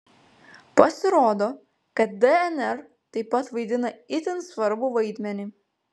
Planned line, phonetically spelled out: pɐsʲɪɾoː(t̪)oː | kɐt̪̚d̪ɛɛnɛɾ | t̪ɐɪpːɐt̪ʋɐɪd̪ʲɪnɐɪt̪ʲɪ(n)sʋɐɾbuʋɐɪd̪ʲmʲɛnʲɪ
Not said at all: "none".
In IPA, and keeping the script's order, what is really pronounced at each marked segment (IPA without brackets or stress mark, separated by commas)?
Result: d̪, n